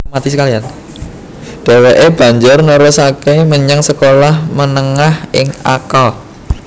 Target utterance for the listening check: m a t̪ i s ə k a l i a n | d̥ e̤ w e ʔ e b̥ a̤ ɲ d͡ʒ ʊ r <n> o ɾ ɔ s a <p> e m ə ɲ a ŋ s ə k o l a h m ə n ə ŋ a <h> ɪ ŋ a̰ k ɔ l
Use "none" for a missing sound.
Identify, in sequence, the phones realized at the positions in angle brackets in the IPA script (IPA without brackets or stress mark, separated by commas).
n, k, h